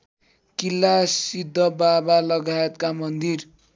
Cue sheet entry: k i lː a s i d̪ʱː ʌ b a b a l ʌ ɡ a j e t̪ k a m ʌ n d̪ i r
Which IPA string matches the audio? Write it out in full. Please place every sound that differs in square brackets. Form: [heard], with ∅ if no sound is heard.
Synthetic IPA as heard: k i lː a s i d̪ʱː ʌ b a b a l ʌ ɡ a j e t̪ k a m ʌ n d̪ i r